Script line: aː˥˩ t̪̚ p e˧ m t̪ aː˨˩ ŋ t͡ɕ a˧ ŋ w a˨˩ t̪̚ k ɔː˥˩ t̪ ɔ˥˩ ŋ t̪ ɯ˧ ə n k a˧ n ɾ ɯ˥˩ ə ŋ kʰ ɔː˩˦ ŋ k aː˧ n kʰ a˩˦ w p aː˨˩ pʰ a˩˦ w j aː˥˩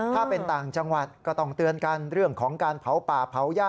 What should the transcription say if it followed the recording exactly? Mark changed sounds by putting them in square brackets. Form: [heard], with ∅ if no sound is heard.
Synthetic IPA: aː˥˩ [∅] p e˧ [n] t̪ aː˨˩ ŋ t͡ɕ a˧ ŋ w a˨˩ t̪̚ k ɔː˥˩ t̪ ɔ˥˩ ŋ t̪ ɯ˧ ə n k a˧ n ɾ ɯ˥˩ ə ŋ kʰ ɔː˩˦ ŋ k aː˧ n [pʰ] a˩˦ w p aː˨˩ pʰ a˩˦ w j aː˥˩